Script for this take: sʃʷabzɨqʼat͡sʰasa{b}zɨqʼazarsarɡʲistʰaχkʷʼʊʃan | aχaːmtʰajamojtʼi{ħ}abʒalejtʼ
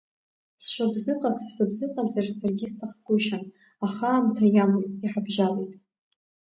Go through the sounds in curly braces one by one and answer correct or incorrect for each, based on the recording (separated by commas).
correct, correct